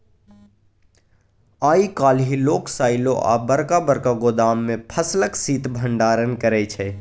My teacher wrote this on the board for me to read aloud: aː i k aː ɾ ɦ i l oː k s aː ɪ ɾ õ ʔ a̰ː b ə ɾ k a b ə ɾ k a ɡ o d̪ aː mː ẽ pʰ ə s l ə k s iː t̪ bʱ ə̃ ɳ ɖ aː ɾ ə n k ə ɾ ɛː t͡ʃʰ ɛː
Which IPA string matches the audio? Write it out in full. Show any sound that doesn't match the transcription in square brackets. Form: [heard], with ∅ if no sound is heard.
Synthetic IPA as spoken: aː i k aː [l] ɦ i l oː k s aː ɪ [l] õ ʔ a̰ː b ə ɾ k a b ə ɾ k a ɡ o d̪ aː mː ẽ pʰ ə s l ə k s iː t̪ bʱ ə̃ ɳ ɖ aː ɾ ə n k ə ɾ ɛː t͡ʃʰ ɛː